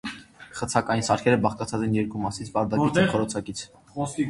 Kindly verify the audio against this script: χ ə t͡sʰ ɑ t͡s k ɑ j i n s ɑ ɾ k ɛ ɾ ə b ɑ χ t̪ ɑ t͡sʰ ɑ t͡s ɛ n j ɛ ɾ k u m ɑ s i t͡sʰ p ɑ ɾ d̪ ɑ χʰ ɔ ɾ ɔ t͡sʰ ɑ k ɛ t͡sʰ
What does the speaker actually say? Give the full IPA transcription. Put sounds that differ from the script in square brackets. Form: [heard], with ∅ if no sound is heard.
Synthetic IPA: χ ə t͡sʰ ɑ [∅] k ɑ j i n s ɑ ɾ [kʰ] ɛ ɾ ə b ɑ χ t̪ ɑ t͡sʰ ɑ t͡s ɛ n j ɛ ɾ k u m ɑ s i t͡sʰ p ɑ ɾ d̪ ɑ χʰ ɔ ɾ ɔ t͡sʰ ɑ k [i] t͡sʰ

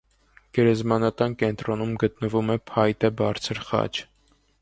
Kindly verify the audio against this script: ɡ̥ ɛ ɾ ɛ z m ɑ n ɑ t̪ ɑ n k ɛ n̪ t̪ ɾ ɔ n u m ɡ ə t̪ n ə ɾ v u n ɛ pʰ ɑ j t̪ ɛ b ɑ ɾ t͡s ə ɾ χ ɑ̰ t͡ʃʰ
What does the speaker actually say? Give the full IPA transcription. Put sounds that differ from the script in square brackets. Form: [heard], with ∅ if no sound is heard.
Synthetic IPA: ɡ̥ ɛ ɾ ɛ z m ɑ n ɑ t̪ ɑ n k ɛ n̪ t̪ ɾ ɔ n u m ɡ ə t̪ n ə [∅] v u [m] ɛ pʰ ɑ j t̪ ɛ b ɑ ɾ [t͡sʰ] ə ɾ χ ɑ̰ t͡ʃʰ

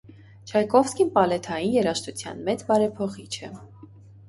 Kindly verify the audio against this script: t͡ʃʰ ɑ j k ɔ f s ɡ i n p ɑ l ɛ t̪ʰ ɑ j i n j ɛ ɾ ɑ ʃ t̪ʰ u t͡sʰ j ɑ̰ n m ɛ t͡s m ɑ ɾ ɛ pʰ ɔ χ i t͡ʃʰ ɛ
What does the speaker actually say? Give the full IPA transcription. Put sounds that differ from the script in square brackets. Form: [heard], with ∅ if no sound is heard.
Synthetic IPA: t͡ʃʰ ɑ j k ɔ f s [k] i n p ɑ l ɛ t̪ʰ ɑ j i n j ɛ ɾ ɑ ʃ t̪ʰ u t͡sʰ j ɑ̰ n m ɛ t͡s [b] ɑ ɾ ɛ pʰ ɔ χ i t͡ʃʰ ɛ

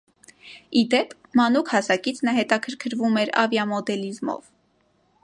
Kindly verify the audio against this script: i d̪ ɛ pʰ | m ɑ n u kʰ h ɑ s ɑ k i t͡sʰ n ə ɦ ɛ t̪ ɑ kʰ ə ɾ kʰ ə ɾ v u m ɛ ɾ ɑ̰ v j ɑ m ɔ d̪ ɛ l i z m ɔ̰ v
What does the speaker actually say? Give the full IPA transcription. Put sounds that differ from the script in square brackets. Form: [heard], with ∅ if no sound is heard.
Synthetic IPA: i d̪ ɛ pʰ | m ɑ n u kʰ h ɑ s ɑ k i t͡sʰ n ə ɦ ɛ t̪ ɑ kʰ ə ɾ kʰ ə ɾ v u m ɛ ɾ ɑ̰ v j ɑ m ɔ d̪ ɛ l i z m ɔ̰ v

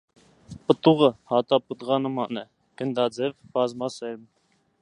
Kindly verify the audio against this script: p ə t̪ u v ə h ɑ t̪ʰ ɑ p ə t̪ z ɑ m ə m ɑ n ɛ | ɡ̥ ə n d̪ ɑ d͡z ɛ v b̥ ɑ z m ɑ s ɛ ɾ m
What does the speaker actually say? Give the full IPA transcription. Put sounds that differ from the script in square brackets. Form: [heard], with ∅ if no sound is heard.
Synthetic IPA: p ə t̪ u [ʁ] ə h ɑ [t̪] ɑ p ə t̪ [ʁ] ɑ [n] ə m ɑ n ɛ | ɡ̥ ə n d̪ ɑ d͡z ɛ v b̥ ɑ z m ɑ s ɛ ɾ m

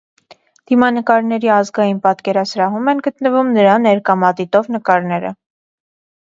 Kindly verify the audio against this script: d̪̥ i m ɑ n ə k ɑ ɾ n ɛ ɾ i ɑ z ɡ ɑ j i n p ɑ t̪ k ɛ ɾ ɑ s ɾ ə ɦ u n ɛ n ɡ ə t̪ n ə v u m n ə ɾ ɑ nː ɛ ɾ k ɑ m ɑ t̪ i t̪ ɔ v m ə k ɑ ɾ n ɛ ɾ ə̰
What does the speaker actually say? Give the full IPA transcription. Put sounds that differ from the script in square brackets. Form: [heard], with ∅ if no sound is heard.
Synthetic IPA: d̪̥ i m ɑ n ə k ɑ ɾ n ɛ ɾ i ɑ z ɡ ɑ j i n p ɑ t̪ k ɛ ɾ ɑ s ɾ [ɑ] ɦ u [m] ɛ n ɡ ə t̪ n ə v u m n ə ɾ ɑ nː ɛ ɾ k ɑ m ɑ t̪ i t̪ ɔ v [n] ə k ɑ ɾ n ɛ ɾ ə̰

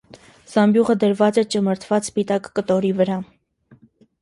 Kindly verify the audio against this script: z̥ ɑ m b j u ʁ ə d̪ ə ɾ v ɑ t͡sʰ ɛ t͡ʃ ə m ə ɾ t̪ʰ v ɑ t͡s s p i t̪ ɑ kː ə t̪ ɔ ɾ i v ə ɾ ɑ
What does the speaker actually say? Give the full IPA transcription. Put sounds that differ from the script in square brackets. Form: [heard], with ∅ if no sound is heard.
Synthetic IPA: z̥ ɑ m b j u ʁ ə d̪ ə ɾ v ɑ [t͡s] ɛ t͡ʃ ə m ə ɾ t̪ʰ v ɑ t͡s s p i t̪ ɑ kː ə t̪ ɔ ɾ i v ə ɾ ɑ

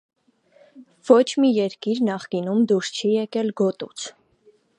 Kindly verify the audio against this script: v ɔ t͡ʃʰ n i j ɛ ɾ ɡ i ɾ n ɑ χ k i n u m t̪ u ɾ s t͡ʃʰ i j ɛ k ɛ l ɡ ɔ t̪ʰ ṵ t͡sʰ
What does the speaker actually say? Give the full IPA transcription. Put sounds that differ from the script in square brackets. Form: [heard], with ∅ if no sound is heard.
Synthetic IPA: v ɔ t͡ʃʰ [m] i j ɛ ɾ [k] i ɾ n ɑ χ k i n u m [d̪] u ɾ s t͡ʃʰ i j ɛ k ɛ l ɡ ɔ [t̪] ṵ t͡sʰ

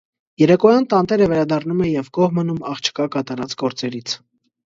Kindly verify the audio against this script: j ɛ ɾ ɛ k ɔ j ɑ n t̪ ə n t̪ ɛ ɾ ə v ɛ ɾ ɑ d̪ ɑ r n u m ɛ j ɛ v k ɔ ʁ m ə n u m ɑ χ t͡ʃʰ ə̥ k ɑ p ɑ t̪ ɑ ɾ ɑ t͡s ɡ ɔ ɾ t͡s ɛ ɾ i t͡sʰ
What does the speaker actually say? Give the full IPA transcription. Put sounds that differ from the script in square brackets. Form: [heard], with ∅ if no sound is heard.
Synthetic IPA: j ɛ ɾ ɛ k ɔ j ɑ n t̪ [ɑ] n t̪ ɛ ɾ ə v ɛ ɾ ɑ d̪ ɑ r n u m ɛ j ɛ v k ɔ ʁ m ə n u m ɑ χ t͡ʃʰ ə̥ k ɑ [k] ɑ t̪ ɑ ɾ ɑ t͡s ɡ ɔ ɾ t͡s ɛ ɾ i t͡sʰ

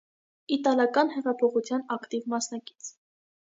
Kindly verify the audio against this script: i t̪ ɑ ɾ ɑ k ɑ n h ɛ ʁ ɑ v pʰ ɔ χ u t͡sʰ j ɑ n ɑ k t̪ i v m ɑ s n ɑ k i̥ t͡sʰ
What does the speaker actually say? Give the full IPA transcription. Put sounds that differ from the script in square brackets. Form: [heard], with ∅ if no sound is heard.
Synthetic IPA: i t̪ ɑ [l] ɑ k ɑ n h ɛ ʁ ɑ [∅] pʰ ɔ χ u t͡sʰ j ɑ n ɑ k t̪ i v m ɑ s n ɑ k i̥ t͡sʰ

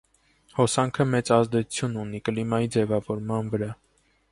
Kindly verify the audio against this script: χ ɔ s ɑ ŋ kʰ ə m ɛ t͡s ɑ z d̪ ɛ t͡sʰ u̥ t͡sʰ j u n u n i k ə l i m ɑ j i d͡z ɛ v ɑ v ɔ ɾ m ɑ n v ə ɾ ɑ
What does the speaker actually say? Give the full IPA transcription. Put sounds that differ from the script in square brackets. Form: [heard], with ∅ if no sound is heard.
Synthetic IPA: [h] ɔ s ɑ ŋ kʰ ə m ɛ t͡s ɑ z d̪ ɛ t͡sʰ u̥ t͡sʰ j u n u n i k ə l i m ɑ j i d͡z ɛ v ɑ v ɔ ɾ m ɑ n v ə ɾ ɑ

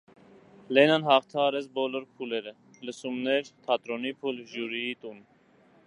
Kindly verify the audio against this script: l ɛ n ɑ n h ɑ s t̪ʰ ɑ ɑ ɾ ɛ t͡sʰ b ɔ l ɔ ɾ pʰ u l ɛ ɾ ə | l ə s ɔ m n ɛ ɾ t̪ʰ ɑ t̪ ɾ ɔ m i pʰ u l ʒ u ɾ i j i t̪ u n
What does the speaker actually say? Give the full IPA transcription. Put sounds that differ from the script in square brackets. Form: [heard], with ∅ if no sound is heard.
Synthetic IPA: l ɛ n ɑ n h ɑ [χ] t̪ʰ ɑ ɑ ɾ ɛ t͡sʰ b ɔ l ɔ ɾ pʰ u l ɛ ɾ ə | l ə s [u] m n ɛ ɾ t̪ʰ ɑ t̪ ɾ ɔ [n] i pʰ u l ʒ u ɾ i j i t̪ u n

